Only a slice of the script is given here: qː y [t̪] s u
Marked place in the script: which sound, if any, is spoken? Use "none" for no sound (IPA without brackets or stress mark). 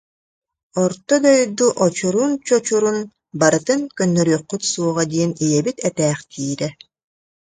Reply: t̪